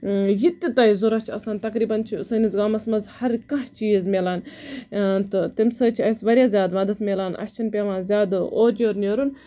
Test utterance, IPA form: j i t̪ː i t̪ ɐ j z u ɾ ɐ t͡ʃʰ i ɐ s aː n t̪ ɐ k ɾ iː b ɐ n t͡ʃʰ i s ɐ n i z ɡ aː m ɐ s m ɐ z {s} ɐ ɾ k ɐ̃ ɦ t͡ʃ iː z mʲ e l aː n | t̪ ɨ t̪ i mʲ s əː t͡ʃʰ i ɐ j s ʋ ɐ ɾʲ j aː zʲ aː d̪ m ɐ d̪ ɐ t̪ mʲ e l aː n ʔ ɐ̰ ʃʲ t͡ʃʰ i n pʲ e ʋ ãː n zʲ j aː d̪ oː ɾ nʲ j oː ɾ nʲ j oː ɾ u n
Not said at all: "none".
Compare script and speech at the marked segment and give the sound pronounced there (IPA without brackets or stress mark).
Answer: h